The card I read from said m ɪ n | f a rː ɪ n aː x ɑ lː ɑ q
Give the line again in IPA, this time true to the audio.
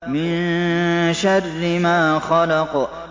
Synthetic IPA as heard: m ɪ n | ʃ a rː ɪ m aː x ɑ l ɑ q